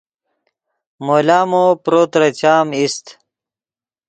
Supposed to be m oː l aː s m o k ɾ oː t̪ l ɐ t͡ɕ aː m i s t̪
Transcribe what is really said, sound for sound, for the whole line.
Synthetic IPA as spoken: m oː l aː m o p ɾ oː t̪ ɾ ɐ t͡ɕ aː m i s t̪